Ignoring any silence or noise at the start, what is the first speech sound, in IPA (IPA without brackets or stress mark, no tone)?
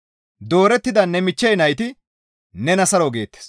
d̪